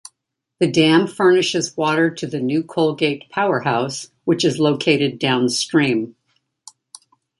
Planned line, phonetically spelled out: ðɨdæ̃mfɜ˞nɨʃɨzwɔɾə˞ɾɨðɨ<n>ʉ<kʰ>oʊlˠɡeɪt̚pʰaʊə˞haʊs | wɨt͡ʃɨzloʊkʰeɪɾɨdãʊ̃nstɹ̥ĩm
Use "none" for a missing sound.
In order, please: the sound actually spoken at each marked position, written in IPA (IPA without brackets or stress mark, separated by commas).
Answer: n, kʰ